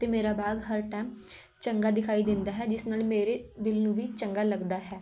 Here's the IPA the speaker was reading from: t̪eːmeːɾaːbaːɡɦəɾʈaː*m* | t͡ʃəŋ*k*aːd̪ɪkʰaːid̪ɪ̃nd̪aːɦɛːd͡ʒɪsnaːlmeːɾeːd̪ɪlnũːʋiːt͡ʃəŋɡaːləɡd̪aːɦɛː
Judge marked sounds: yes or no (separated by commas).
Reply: yes, no